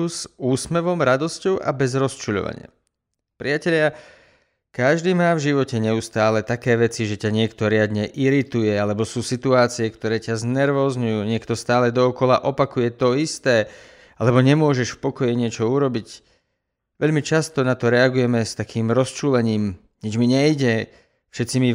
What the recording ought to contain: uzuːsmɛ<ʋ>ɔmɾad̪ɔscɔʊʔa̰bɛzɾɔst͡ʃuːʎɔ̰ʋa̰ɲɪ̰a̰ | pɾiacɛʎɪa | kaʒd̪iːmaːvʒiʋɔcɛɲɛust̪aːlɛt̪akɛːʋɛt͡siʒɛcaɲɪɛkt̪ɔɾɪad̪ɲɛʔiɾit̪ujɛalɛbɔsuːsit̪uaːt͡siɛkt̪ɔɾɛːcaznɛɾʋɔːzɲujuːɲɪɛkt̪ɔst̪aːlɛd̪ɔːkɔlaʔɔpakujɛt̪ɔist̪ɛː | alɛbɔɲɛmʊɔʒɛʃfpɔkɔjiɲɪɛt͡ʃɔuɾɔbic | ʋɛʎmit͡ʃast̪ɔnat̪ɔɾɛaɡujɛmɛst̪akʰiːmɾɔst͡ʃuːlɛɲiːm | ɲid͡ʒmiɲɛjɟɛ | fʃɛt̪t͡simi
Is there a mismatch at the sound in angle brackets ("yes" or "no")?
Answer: no